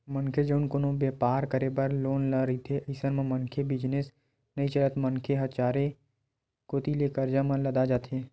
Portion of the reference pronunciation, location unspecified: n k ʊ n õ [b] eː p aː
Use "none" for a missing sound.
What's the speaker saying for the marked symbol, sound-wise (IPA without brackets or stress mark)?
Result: b